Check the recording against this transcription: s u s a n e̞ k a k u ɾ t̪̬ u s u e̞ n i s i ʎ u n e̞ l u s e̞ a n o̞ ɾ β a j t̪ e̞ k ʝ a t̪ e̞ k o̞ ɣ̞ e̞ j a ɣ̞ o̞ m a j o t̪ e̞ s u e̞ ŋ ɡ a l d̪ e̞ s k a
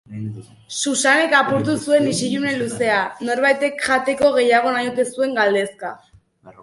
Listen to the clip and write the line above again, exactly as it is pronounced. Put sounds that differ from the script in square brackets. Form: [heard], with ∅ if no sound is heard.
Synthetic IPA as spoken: s u s a n e̞ k a [p] u ɾ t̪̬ u s u e̞ n i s i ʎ u n e̞ l u s e̞ a n o̞ ɾ β a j t̪ e̞ k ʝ a t̪ e̞ k o̞ ɣ̞ e̞ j a ɣ̞ o̞ [n] a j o t̪ e̞ s u e̞ ŋ ɡ a l d̪ e̞ s k a